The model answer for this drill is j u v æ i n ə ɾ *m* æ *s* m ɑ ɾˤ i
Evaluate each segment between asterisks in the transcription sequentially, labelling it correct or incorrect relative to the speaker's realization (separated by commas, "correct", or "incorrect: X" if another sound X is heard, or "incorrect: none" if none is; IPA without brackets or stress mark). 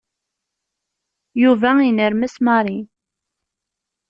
correct, correct